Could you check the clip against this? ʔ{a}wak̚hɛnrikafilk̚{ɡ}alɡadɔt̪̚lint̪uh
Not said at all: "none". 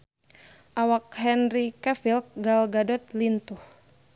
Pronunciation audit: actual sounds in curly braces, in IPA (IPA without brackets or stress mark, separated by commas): a, ɡ